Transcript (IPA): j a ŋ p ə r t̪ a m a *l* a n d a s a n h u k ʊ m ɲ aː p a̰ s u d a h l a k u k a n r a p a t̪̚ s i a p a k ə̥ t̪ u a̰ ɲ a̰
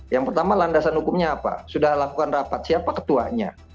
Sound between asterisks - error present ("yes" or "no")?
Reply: no